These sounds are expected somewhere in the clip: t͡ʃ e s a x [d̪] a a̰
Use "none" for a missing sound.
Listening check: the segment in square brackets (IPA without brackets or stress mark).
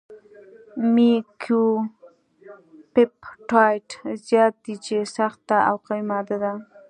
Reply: t̪